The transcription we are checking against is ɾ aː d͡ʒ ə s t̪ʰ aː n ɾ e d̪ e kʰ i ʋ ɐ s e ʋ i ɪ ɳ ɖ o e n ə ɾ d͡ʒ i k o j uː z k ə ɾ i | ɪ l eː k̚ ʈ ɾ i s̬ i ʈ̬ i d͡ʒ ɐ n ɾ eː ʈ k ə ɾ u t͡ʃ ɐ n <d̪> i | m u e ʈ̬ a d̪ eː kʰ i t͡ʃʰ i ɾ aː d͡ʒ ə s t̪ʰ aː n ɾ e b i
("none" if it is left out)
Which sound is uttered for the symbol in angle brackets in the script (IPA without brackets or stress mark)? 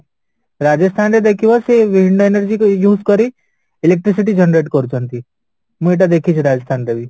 t̪